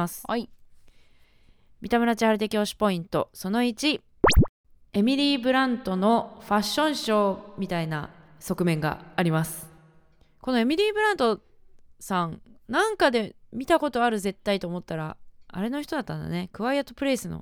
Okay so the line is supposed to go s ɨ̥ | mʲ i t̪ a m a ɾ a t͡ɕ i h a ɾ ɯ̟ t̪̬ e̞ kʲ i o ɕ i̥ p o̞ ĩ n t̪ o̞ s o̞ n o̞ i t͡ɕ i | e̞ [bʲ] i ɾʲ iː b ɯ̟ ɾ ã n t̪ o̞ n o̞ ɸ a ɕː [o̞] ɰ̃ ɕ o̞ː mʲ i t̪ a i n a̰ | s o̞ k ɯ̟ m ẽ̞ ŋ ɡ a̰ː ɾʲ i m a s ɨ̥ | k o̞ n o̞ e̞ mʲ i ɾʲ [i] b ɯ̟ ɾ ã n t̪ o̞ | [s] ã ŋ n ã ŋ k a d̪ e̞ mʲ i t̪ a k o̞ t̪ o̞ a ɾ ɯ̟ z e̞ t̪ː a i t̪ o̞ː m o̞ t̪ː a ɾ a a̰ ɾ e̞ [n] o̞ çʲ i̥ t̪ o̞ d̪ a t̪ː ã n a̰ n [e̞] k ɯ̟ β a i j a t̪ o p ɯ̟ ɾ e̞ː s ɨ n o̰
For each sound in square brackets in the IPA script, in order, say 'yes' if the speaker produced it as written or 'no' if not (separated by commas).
no, no, no, yes, yes, yes